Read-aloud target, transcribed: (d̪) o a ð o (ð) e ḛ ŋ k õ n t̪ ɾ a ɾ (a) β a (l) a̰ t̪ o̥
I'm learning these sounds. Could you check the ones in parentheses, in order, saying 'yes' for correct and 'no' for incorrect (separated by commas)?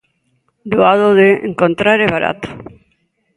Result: yes, yes, no, no